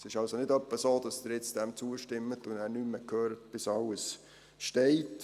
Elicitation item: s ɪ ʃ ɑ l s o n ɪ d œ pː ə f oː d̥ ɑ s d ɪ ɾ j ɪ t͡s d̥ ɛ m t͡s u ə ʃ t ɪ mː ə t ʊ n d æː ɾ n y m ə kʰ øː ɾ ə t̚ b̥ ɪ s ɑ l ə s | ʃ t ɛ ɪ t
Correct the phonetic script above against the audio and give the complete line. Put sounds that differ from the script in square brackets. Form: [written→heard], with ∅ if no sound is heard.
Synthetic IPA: s ɪ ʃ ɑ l s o n ɪ d œ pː ə [f→s] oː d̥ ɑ s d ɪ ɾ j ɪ t͡s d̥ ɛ m t͡s u ə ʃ t ɪ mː ə t ʊ n d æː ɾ n y m ə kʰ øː ɾ ə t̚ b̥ ɪ s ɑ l ə s | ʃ t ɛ ɪ t